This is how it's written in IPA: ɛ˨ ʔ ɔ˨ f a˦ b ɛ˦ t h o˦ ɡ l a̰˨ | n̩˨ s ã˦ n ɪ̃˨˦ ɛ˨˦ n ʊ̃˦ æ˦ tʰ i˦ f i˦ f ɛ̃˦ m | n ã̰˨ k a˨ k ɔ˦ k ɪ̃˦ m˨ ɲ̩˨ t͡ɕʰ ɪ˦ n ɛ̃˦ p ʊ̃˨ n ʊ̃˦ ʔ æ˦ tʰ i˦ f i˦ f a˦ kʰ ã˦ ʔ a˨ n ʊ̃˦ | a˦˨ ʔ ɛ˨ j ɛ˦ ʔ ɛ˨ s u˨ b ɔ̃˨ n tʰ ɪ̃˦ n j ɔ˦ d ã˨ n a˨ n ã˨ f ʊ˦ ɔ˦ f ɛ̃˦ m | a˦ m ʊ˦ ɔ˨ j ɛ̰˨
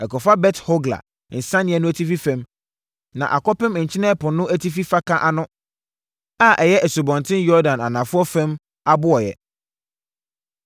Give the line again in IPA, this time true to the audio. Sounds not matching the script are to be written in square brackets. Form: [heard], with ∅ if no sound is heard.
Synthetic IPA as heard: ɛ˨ [k] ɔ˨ f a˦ b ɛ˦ t h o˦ ɡ l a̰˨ | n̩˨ s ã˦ n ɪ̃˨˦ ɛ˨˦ n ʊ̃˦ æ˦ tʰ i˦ f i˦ f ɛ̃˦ m | n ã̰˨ [ʔ] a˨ k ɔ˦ [p] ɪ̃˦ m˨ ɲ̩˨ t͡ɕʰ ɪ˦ n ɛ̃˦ p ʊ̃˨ n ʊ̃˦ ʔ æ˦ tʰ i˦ f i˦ f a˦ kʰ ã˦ ʔ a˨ n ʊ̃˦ | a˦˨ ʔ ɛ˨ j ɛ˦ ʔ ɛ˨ s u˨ b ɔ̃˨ n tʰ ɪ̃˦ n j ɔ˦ d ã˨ n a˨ n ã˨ f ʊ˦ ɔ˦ f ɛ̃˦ m | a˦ [b] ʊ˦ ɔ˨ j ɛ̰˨